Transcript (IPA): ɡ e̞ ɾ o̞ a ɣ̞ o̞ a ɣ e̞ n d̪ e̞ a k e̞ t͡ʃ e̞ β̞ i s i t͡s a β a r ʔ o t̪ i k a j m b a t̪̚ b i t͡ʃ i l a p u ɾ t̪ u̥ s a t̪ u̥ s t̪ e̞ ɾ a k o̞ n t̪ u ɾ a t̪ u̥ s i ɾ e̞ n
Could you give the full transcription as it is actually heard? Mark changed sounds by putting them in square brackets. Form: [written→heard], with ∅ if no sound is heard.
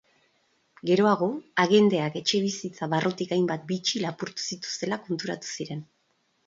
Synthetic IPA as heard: ɡ e̞ ɾ o̞ a ɣ̞ o̞ a ɣ e̞ n d̪ e̞ a k e̞ t͡ʃ e̞ β̞ i s i t͡s a β a r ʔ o t̪ i k a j m b a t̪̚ b i t͡ʃ i l a p u ɾ t̪ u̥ s [a→i] t̪ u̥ s t̪ e̞ [ɾ→l] a k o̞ n t̪ u ɾ a t̪ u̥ s i ɾ e̞ n